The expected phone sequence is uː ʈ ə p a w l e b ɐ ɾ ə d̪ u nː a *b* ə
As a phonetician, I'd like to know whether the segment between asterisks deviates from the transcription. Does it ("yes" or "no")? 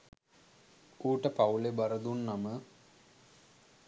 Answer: yes